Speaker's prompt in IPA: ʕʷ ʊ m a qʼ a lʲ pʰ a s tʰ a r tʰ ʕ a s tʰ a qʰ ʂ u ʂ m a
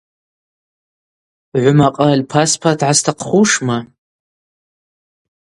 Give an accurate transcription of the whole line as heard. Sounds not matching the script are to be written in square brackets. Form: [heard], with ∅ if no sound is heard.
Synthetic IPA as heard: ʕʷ ʊ m a qʼ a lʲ pʰ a s [pʰ] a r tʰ ʕ a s tʰ a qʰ [χ] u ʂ m a